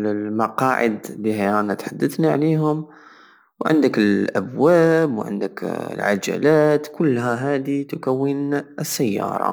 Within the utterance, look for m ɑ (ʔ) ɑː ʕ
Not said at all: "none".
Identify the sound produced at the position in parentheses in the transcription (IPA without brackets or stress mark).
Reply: q